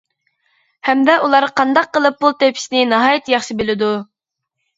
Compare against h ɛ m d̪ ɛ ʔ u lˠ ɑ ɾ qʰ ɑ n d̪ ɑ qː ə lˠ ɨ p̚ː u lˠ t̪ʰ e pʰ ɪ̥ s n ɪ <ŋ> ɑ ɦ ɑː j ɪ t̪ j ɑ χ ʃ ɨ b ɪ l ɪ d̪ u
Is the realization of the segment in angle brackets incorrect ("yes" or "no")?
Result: yes